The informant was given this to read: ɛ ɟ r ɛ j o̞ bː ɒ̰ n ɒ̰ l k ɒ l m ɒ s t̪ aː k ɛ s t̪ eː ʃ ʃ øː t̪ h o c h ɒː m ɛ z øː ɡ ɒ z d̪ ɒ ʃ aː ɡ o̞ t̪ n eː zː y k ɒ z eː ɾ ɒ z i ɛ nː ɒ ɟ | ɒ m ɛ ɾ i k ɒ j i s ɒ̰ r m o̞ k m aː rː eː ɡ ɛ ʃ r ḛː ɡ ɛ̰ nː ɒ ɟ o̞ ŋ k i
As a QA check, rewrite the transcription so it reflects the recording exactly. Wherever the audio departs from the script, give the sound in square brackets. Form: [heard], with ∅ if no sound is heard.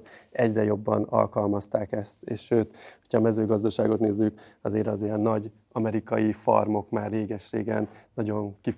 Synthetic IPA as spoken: ɛ ɟ r ɛ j o̞ bː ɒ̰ n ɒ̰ l k ɒ l m ɒ s t̪ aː k ɛ s t̪ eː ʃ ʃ øː t̪ h o c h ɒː m ɛ z øː ɡ ɒ z d̪ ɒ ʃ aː ɡ o̞ t̪ n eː zː y k ɒ z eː ɾ ɒ z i ɛ nː ɒ ɟ | ɒ m ɛ ɾ i k ɒ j i [f] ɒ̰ r m o̞ k m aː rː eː ɡ ɛ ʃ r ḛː ɡ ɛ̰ nː ɒ ɟ o̞ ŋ k i